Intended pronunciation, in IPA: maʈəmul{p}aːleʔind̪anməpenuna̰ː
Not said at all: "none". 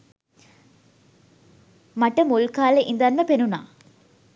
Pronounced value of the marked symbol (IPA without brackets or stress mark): k